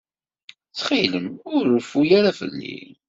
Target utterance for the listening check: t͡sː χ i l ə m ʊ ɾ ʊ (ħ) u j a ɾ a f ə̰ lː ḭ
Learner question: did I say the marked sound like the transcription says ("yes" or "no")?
no